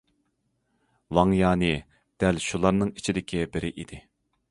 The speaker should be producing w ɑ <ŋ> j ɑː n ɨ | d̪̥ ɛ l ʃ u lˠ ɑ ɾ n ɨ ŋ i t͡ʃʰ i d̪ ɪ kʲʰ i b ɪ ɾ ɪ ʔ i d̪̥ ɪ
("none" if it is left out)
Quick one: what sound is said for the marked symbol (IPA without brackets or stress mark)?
ŋ